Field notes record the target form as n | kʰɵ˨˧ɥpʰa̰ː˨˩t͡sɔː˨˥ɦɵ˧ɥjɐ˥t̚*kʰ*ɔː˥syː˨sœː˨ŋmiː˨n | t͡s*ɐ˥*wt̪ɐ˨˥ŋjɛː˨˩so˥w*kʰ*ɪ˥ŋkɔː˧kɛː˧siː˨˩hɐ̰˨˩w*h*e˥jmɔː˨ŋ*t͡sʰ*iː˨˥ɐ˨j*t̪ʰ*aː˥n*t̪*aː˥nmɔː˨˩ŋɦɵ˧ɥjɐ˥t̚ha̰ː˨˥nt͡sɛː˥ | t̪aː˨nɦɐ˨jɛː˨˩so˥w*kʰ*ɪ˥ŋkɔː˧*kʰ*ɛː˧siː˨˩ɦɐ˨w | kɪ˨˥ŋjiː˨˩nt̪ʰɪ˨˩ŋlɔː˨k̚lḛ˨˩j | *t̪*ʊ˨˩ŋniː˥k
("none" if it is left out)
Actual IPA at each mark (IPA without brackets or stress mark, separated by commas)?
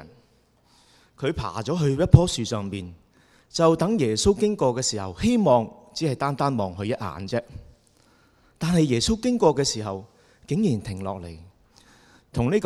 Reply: pʰ, ɐ˨, k, h, t͡s, t̪, t̪, k, k, t̪ʰ